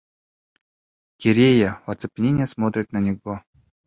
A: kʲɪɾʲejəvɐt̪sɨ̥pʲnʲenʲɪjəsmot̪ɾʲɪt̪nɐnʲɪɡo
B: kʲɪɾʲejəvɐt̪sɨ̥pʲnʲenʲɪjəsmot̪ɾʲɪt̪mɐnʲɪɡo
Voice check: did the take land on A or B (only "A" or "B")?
A